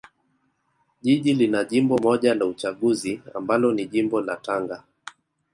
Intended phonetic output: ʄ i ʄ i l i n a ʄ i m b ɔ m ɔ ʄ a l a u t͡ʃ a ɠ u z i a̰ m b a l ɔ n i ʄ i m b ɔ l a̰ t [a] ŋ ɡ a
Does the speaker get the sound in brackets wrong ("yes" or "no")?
no